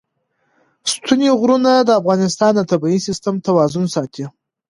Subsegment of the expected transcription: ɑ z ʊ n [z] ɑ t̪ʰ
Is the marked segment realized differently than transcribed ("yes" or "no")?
yes